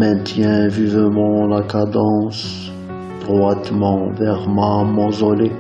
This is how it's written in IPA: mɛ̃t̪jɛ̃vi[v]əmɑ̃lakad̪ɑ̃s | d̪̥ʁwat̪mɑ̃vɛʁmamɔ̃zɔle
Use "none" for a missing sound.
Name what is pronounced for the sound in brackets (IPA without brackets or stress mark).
v